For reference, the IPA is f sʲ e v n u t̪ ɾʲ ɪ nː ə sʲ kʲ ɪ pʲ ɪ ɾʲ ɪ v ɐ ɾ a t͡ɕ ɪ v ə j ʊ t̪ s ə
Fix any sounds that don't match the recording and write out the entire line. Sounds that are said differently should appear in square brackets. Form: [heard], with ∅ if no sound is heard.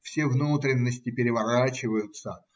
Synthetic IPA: f sʲ e v n u t̪ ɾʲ ɪ nː ə sʲ [tʲ] ɪ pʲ ɪ ɾʲ ɪ v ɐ ɾ a t͡ɕ ɪ v ə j ʊ t̪ s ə